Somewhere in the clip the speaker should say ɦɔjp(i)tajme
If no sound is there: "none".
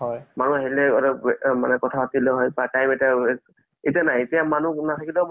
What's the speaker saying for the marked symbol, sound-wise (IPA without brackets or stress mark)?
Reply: a